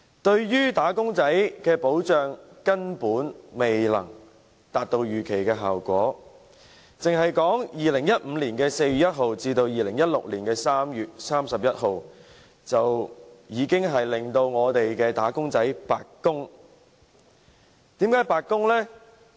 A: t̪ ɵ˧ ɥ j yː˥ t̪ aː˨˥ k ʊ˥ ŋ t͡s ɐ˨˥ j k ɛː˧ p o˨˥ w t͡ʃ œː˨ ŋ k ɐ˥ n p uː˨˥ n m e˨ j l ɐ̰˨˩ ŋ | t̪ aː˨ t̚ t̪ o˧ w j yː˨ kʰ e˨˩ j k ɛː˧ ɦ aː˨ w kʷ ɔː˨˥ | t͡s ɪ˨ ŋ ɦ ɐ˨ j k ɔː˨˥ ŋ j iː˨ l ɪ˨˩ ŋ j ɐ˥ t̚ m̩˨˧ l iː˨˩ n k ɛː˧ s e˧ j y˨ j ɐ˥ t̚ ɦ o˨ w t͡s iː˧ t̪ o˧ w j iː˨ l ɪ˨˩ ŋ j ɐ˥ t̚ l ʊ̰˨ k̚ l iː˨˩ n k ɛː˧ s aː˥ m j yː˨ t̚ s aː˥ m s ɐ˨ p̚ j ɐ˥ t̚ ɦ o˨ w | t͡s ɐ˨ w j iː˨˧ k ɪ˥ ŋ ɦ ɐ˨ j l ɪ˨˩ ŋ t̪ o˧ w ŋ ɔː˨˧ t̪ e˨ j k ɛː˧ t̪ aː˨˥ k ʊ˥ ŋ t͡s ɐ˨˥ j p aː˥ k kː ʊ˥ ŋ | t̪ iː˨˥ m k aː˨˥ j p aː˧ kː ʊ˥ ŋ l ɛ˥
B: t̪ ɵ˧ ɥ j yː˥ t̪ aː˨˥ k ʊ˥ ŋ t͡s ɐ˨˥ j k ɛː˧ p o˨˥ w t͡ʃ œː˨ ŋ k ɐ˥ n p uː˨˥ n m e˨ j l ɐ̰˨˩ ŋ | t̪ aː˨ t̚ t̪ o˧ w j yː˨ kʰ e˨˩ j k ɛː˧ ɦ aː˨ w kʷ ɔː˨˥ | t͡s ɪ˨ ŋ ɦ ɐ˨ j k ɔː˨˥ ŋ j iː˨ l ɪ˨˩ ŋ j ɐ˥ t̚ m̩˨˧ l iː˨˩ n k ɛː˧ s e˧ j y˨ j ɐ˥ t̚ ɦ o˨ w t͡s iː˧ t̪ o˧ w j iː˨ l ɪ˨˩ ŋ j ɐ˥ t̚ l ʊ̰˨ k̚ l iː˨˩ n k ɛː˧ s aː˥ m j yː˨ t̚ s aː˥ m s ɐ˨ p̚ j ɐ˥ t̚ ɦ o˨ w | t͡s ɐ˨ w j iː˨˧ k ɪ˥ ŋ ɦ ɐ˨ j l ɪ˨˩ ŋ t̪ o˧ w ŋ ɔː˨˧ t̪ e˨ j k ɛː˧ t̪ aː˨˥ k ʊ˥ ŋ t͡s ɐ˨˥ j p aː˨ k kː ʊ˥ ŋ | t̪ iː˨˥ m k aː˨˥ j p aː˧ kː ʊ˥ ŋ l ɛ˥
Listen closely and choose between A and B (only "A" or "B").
B